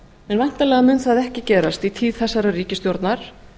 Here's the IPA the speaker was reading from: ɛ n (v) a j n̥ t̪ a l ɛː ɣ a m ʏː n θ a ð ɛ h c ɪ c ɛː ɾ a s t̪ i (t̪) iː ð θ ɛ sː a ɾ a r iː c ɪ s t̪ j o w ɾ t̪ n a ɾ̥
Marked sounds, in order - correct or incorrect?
correct, incorrect: t̪ʰ

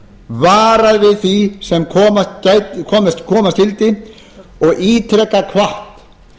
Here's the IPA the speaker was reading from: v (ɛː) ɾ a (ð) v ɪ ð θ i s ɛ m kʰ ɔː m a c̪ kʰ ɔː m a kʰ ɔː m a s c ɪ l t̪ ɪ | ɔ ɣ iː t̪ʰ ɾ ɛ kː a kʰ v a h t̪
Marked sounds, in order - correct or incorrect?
incorrect: aː, correct

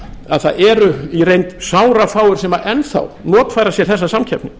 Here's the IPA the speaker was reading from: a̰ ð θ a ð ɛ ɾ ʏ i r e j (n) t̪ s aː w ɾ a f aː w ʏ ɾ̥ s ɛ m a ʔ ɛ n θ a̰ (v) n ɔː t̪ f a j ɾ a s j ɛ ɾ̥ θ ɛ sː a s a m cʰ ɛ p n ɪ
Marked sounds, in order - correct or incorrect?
correct, incorrect: w

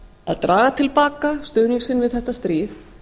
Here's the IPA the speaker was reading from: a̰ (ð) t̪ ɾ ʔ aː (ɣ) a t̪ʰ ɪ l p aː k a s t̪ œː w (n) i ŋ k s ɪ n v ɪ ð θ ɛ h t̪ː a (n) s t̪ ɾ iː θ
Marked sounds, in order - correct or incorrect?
correct, correct, correct, incorrect: none

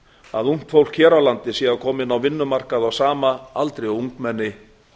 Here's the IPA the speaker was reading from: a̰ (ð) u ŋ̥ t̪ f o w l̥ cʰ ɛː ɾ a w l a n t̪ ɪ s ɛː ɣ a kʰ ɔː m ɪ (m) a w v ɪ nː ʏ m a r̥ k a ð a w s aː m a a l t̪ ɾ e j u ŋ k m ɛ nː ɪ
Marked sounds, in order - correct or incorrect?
correct, incorrect: n

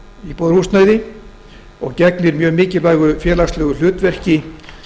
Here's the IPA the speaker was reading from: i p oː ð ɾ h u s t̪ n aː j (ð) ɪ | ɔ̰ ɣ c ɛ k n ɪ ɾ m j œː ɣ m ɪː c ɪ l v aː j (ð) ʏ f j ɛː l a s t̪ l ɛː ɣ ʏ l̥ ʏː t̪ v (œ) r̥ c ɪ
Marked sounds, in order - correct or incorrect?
correct, incorrect: ɣ, incorrect: ɛ

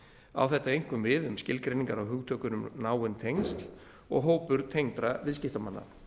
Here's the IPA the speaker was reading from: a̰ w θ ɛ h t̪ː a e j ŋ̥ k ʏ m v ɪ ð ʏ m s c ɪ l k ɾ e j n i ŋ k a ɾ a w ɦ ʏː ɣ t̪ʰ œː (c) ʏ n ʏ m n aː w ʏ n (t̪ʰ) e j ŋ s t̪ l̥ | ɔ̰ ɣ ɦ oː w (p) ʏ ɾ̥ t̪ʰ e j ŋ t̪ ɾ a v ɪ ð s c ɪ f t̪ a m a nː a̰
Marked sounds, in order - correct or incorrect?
incorrect: k, correct, correct

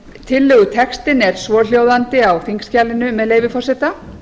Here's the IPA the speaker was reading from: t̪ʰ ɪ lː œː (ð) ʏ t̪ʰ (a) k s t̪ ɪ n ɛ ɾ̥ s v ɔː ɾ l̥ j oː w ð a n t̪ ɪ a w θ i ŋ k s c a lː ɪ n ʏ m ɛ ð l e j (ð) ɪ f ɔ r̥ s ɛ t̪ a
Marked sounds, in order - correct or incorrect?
incorrect: ɣ, incorrect: ɛ, incorrect: v

